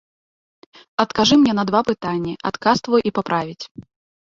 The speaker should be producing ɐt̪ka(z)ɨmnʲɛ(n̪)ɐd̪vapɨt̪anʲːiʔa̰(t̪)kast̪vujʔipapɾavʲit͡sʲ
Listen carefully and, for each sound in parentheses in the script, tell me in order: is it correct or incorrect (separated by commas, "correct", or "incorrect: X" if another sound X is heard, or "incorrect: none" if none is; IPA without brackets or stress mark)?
incorrect: ʐ, correct, correct